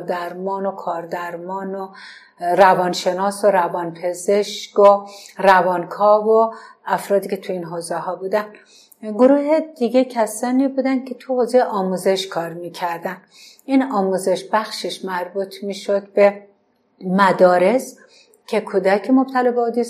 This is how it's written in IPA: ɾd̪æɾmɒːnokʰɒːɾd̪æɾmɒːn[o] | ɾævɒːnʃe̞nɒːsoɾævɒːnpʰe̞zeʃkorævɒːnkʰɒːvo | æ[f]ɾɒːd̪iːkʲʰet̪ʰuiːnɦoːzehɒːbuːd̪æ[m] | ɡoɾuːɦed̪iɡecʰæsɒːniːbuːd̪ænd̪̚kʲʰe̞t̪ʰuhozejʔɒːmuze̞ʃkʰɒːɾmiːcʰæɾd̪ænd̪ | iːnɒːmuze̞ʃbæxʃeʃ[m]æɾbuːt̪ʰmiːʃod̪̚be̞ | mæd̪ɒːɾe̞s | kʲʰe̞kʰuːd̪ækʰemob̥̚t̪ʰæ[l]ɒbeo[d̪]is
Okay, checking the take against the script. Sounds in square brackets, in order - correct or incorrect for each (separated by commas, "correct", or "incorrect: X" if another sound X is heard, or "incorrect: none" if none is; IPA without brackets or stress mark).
correct, correct, incorrect: n, correct, correct, correct